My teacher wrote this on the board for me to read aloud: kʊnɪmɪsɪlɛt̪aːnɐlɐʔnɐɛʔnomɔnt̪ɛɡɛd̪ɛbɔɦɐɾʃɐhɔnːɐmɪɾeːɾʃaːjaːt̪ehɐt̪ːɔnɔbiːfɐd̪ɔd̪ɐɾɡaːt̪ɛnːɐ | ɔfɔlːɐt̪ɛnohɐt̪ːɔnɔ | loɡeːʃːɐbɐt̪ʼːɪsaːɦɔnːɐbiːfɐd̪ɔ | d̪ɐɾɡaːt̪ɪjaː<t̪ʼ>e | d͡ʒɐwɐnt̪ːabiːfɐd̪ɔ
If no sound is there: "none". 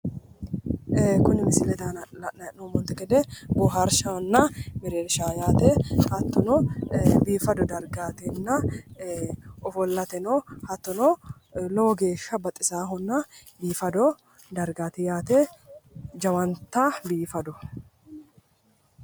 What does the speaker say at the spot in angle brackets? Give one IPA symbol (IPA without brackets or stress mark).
t̪